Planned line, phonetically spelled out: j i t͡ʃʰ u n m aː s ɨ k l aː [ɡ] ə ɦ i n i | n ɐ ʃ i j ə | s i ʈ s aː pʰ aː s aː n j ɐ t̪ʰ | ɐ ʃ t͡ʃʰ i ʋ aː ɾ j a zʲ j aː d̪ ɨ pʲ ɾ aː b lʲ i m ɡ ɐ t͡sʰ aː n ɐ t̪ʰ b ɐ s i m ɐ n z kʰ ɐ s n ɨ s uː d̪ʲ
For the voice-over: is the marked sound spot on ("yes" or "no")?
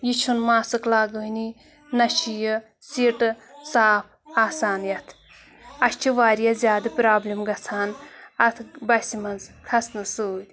yes